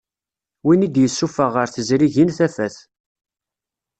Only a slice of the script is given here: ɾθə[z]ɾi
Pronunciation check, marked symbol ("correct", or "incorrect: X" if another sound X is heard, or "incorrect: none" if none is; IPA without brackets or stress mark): correct